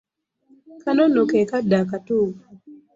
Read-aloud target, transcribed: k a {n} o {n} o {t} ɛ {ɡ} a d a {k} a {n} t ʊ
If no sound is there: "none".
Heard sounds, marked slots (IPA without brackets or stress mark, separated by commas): n, n, k, k, k, none